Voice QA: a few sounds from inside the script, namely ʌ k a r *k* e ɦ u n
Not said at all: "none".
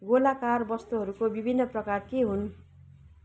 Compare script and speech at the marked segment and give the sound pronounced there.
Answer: k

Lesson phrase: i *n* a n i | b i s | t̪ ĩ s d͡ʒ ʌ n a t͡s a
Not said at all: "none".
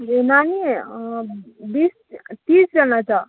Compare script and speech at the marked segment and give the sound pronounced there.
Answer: n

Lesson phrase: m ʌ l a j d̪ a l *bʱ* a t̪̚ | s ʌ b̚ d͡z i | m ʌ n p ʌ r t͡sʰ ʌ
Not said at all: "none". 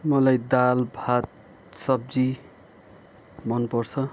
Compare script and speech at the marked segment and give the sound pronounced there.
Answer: bʱ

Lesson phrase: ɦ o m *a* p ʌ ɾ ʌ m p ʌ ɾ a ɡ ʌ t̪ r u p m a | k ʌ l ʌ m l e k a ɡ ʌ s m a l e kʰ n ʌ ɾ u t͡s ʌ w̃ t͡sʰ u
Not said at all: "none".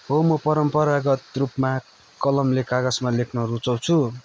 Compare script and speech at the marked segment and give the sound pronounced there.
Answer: ʌ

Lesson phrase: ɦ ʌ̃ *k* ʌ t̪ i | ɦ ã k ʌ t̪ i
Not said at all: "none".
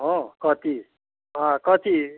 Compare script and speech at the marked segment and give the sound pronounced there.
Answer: k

